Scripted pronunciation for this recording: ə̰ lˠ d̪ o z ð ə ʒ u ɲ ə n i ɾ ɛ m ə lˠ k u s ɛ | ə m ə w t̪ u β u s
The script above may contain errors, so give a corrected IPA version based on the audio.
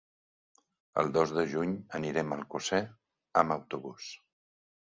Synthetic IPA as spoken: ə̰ lˠ d̪ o z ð ə ʒ u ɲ ə n i ɾ ɛ m ə lˠ k u s ɛ | ə m ə w t̪ u β u s